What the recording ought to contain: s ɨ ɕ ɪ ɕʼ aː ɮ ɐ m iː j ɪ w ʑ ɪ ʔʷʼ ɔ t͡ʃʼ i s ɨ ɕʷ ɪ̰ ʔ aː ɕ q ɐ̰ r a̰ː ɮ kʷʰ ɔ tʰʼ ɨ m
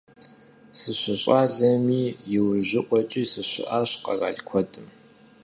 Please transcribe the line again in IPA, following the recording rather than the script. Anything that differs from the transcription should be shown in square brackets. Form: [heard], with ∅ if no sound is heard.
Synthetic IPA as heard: s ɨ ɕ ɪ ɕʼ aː ɮ ɐ m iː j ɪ w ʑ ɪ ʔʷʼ ɔ t͡ʃʼ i s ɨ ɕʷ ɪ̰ ʔ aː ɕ q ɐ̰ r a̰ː ɮ kʷʰ ɔ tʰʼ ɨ m